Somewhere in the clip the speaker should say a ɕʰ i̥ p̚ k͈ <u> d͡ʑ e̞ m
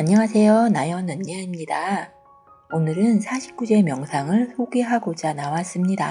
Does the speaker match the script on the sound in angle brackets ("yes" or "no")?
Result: yes